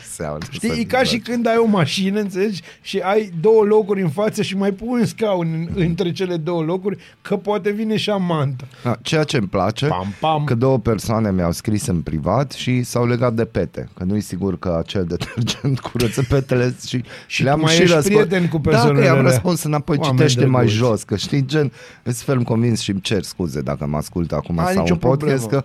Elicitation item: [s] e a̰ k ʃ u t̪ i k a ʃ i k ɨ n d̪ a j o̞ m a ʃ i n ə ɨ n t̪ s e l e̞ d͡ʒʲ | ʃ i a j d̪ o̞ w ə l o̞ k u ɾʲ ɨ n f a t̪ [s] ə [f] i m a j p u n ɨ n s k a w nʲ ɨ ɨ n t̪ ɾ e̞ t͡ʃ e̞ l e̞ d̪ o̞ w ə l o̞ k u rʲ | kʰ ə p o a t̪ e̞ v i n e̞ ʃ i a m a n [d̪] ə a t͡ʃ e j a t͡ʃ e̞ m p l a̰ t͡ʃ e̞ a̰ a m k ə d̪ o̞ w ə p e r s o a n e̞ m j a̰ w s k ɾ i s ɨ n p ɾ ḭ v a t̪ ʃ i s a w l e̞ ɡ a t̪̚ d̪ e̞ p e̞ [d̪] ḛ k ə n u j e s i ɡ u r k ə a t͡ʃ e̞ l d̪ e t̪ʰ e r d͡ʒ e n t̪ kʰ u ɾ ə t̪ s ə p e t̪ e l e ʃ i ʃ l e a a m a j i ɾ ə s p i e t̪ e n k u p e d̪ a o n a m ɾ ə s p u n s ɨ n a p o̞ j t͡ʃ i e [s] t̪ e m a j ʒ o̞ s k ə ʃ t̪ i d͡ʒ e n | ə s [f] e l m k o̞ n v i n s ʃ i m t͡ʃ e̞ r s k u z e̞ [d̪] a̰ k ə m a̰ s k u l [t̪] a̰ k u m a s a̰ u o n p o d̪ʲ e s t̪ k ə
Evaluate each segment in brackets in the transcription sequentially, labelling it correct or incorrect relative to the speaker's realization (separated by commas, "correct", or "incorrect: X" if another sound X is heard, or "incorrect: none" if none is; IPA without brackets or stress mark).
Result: correct, correct, incorrect: ʃ, incorrect: t̪, incorrect: t̪, incorrect: ʃ, correct, correct, correct